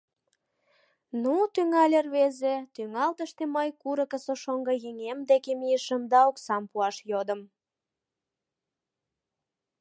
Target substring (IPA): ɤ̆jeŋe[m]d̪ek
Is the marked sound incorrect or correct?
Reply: correct